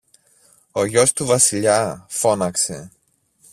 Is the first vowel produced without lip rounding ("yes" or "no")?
no